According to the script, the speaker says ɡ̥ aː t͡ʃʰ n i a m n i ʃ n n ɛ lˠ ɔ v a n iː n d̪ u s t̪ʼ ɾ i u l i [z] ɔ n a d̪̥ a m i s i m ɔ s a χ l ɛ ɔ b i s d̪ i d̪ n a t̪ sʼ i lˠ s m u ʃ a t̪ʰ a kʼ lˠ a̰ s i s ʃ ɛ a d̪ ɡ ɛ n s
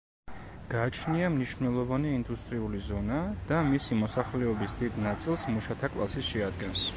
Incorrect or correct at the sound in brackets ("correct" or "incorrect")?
correct